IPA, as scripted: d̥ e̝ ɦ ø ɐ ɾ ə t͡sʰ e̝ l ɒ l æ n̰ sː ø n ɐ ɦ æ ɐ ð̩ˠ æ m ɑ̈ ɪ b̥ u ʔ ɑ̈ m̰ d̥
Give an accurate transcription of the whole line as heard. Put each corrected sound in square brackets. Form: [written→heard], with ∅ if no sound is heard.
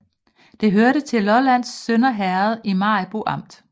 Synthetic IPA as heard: d̥ e̝ ɦ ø ɐ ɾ ə t͡sʰ e̝ l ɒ l æ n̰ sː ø n ɐ ɦ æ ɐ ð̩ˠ [æ→i] m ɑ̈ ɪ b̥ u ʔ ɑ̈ m̰ d̥